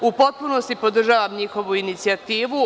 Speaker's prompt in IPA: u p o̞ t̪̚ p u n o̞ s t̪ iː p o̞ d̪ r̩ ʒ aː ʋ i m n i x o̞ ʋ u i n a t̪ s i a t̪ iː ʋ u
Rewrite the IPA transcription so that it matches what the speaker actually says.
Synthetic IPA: u p o̞ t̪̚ p u n o̞ s t̪ i p o̞ d̪ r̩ ʒ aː ʋ a m ɲ i x o̞ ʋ u i n i t̪ s i a t̪ iː ʋ u